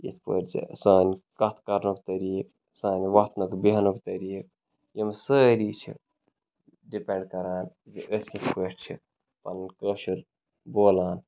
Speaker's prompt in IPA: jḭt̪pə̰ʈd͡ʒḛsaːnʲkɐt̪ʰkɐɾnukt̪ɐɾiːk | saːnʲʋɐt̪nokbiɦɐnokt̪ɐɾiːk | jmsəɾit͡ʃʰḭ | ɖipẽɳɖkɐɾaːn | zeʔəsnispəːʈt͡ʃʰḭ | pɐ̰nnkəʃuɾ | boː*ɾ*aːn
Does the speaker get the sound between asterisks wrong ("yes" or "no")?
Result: yes